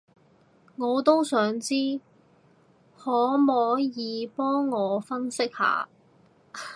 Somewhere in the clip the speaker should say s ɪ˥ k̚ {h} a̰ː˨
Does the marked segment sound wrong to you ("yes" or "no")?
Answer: no